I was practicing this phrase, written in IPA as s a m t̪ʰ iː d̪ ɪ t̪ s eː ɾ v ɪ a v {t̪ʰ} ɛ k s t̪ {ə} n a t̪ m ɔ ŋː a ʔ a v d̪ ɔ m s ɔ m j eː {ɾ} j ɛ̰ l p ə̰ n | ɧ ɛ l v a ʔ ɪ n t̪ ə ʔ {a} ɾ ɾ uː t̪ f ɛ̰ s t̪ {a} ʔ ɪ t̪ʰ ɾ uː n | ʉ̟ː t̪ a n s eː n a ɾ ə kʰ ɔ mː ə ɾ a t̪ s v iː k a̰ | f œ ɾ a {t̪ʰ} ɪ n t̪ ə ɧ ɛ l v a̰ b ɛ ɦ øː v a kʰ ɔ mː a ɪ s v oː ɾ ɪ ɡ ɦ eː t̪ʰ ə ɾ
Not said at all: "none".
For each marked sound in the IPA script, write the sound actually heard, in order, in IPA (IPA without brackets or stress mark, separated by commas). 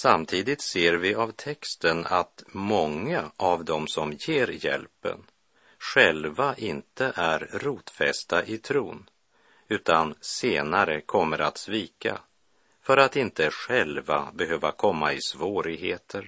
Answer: t̪ʰ, ə, ɾ, æ, a, t̪